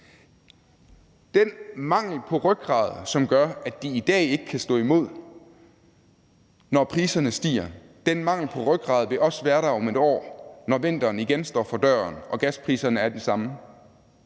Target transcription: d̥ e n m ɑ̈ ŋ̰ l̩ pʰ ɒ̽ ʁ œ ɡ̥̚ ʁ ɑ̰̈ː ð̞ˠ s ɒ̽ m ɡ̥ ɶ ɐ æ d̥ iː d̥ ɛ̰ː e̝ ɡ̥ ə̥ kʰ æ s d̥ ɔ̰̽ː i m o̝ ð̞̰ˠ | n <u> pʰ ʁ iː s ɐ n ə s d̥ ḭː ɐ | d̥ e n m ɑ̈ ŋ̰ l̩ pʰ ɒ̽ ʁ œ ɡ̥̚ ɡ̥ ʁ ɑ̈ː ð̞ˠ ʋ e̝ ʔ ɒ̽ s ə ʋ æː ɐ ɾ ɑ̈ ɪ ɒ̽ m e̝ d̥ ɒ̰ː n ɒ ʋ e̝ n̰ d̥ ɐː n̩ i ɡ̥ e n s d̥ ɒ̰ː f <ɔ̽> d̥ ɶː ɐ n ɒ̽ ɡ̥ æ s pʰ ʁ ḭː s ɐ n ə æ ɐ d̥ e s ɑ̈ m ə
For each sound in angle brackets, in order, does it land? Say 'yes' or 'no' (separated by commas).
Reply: no, no